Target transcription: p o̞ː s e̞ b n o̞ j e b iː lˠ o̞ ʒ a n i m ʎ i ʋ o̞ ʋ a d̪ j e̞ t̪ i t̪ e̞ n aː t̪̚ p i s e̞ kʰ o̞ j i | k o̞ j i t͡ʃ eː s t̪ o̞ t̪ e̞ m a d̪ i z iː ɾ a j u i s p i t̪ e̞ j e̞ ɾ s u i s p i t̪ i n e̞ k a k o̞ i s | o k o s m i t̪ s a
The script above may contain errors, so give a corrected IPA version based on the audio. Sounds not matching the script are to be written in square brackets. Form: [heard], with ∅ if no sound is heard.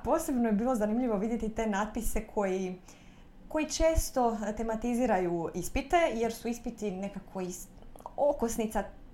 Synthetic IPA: p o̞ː s e̞ b n o̞ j e b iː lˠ o̞ [z] a n i m ʎ i ʋ o̞ ʋ [i] d̪ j e̞ t̪ i t̪ e̞ n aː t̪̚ p i s e̞ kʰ o̞ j i | k o̞ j i t͡ʃ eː s t̪ o̞ t̪ e̞ m a [t̪] i z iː ɾ a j u i s p i t̪ e̞ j e̞ ɾ s u i s p i t̪ i n e̞ k a k o̞ i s | o k o s [n] i t̪ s a